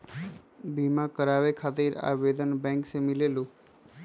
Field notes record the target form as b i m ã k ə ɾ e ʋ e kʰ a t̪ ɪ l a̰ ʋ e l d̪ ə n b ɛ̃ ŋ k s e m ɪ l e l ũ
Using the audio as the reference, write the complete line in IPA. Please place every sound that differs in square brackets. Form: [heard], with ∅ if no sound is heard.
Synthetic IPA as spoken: b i m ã k ə ɾ [a] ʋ e kʰ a t̪ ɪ [ɾ] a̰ ʋ e [∅] d̪ ə n b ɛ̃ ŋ k s e m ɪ l e l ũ